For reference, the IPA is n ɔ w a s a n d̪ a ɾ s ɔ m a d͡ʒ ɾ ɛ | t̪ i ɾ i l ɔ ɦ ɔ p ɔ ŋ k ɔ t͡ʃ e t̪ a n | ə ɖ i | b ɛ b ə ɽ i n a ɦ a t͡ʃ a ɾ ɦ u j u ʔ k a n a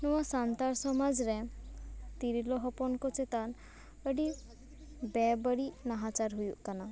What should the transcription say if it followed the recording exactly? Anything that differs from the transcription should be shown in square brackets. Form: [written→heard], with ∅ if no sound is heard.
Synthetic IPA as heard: n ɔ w a s a n [d̪→t̪] a ɾ s ɔ m a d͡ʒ ɾ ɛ | t̪ i ɾ i l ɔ ɦ ɔ p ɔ [ŋ→n] k ɔ t͡ʃ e t̪ a n | ə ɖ i | b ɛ b ə ɽ i n a ɦ a t͡ʃ a ɾ ɦ u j u ʔ k a n a

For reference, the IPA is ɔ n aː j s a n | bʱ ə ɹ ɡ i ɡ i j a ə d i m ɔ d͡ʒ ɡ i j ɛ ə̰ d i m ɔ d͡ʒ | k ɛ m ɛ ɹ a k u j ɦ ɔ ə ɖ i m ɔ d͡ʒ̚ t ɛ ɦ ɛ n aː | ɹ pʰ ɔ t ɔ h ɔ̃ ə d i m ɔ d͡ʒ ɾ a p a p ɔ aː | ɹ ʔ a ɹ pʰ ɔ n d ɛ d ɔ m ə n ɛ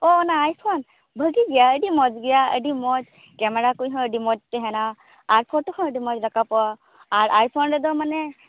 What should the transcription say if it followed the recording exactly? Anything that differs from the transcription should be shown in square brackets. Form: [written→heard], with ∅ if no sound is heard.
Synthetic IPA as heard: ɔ n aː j s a n | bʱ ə [ɹ→∅] ɡ i ɡ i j a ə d i m ɔ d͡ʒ ɡ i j [ɛ→a] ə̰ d i m ɔ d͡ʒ | k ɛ m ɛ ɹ a k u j ɦ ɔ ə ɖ i m ɔ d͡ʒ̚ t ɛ ɦ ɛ n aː | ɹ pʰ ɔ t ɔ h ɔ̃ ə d i m ɔ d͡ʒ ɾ a [p→k] a p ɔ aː | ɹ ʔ a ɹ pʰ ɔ n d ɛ d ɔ m [ə→a] n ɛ

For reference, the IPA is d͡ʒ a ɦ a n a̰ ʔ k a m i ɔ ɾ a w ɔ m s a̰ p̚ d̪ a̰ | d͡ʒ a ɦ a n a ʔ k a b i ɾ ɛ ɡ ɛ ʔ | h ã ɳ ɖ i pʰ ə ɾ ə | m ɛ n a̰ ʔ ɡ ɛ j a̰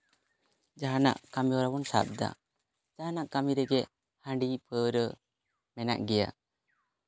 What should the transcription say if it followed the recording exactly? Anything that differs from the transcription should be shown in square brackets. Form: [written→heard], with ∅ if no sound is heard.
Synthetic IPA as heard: d͡ʒ a ɦ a n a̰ ʔ k a m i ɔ ɾ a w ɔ [m→n] s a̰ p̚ d̪ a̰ | d͡ʒ a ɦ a n a ʔ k a [b→m] i ɾ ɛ ɡ ɛ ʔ | h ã ɳ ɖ i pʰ ə ɾ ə | m ɛ n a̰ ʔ ɡ ɛ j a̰

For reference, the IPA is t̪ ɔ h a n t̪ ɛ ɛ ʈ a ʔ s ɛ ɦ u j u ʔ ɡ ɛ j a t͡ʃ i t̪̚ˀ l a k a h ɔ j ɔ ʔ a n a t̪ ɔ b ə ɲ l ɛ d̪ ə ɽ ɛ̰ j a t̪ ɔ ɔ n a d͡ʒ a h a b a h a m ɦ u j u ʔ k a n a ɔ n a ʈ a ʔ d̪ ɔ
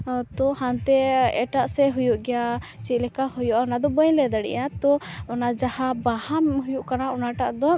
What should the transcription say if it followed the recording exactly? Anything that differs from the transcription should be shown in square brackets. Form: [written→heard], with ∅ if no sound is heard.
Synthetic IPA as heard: t̪ ɔ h a n t̪ ɛ ɛ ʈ a ʔ s ɛ ɦ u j u ʔ ɡ ɛ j a t͡ʃ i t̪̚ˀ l [a→ɛ] k a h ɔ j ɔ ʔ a n a [t̪→d̪] ɔ b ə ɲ l ɛ d̪ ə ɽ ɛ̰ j a t̪ ɔ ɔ n a d͡ʒ a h a b a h a m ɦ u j u ʔ k a n a ɔ n a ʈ a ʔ d̪ ɔ

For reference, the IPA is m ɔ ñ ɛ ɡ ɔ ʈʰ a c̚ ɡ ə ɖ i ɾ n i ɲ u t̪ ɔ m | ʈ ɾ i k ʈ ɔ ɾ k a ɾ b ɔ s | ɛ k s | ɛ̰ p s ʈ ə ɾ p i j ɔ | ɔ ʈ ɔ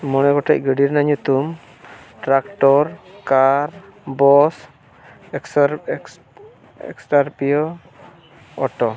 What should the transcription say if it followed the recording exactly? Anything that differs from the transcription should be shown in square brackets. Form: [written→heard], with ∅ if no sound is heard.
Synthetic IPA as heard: m ɔ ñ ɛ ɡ ɔ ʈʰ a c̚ ɡ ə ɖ i ɾ n [i→a] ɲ u t̪ [ɔ→u] m | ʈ ɾ [i→a] k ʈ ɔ ɾ k a ɾ b ɔ s | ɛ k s | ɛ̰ [p→k] s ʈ [ə→a] ɾ p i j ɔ | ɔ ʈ ɔ

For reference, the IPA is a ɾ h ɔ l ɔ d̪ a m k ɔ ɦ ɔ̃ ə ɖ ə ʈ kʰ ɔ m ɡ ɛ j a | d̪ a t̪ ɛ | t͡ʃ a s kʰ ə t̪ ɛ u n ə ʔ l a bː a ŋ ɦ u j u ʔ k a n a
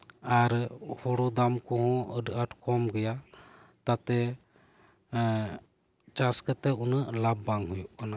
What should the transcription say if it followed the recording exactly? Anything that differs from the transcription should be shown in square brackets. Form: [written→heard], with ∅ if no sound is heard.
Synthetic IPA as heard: a ɾ h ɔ [l→ɽ] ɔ d̪ a m k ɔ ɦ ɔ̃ ə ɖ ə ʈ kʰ ɔ m ɡ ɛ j a | [d̪→t̪] a t̪ ɛ | t͡ʃ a s [kʰ→k] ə t̪ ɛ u n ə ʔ l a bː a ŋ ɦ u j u ʔ k a n a

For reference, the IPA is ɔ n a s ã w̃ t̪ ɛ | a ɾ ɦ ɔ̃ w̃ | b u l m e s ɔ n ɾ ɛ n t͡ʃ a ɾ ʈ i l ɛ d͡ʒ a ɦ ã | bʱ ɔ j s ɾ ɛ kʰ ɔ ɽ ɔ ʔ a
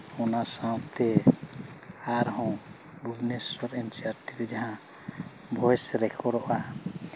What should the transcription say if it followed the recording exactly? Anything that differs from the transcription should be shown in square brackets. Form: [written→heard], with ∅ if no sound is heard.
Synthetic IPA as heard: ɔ n a s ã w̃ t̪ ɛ | a ɾ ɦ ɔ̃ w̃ | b u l [m→n] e s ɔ [n→∅] ɾ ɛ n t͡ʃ a ɾ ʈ i [l→ɾ] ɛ d͡ʒ a ɦ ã | bʱ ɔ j s ɾ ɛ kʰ ɔ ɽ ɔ ʔ a

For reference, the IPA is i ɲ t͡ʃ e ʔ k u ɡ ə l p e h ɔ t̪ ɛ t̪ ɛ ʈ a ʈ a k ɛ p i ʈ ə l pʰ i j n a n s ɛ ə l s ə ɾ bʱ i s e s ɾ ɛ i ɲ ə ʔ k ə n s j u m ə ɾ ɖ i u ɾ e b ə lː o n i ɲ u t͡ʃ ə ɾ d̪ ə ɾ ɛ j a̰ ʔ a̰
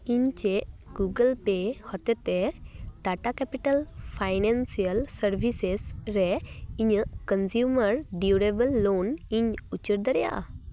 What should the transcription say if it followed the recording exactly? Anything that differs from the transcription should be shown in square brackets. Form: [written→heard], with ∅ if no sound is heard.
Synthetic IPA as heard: i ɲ t͡ʃ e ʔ [k→ɡ] u ɡ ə l p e h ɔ t̪ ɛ t̪ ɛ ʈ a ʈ a k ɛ p i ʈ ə l pʰ [i→a] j n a n s [ɛ→i] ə l s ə ɾ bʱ i s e s ɾ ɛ i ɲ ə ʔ k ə n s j u m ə ɾ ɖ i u ɾ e b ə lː o n i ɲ u t͡ʃ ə ɾ d̪ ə ɾ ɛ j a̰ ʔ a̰

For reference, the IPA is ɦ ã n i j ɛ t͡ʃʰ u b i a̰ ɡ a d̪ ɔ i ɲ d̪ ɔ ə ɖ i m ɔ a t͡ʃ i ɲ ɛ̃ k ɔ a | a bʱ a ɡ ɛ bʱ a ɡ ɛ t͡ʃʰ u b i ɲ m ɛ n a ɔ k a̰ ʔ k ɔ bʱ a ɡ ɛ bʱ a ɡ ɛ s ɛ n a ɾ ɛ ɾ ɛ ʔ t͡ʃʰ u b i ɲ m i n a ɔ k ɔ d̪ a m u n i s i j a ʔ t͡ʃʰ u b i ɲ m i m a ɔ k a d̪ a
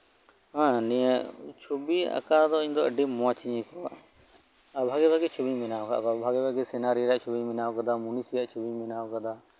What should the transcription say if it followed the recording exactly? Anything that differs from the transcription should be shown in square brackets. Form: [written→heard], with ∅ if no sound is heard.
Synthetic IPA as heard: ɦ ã n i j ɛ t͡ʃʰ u b i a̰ [ɡ→k] a d̪ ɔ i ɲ d̪ ɔ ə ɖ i m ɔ a t͡ʃ i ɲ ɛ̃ k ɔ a | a bʱ a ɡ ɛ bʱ a ɡ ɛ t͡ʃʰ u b i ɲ m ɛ n a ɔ k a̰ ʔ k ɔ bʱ a ɡ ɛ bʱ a ɡ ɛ s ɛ n a ɾ [ɛ→i] ɾ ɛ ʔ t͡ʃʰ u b i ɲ m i n a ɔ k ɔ d̪ a m u n i s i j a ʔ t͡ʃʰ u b i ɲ m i [m→n] a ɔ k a d̪ a

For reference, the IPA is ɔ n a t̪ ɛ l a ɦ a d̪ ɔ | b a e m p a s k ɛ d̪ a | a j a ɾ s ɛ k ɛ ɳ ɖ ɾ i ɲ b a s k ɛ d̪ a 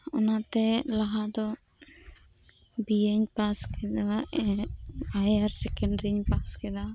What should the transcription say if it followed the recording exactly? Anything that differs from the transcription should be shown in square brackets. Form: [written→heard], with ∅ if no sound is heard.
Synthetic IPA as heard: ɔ n a t̪ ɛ l a ɦ a d̪ ɔ | b [a→i] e [m→ɲ] p a s k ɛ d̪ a | a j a ɾ s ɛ k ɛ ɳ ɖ ɾ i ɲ [b→p] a s k ɛ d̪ a

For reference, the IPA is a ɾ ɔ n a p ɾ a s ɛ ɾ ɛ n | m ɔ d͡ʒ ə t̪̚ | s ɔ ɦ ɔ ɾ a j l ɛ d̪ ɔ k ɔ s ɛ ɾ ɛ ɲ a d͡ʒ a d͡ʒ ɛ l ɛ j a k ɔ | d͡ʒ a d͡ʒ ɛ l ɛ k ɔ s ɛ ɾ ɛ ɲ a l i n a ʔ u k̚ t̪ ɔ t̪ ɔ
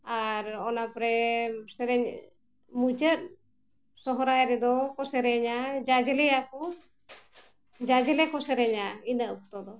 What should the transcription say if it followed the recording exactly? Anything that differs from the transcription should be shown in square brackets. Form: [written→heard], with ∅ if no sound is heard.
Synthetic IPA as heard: a ɾ ɔ n a p ɾ [a→ɛ] s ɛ ɾ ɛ [n→ɲ] | m [ɔ→u] d͡ʒ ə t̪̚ | s ɔ ɦ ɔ ɾ a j [l→ɾ] ɛ d̪ ɔ k ɔ s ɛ ɾ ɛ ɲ a d͡ʒ a d͡ʒ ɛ l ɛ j a k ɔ | d͡ʒ a d͡ʒ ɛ l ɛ k ɔ s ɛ ɾ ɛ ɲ a [l→∅] i n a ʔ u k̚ t̪ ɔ [t̪→d̪] ɔ

